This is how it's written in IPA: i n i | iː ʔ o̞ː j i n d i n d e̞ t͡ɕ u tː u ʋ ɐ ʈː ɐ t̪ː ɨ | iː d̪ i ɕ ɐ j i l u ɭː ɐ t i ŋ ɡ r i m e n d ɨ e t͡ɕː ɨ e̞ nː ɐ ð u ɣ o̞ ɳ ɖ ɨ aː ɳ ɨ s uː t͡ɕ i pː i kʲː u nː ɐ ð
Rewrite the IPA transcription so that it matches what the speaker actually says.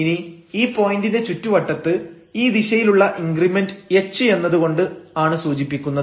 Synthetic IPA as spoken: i n i | iː p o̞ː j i n d i n d e̞ t͡ɕ u tː u ʋ ɐ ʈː ɐ t̪ː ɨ | iː d̪ i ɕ ɐ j i l u ɭː ɐ ʔ i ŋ ɡ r i m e n d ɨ e t͡ɕː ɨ e̞ nː ɐ ð u ɣ o̞ ɳ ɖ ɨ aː ɳ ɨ s uː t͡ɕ i pː i kʲː u nː ɐ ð